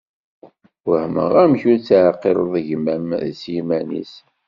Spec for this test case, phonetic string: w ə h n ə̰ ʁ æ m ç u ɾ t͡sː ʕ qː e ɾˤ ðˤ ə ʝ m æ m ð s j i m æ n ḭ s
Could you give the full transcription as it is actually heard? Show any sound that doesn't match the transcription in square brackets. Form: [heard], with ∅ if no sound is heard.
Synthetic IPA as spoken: w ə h [m] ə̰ ʁ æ m ç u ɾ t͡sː ʕ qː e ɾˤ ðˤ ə ʝ m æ m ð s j i m æ n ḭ s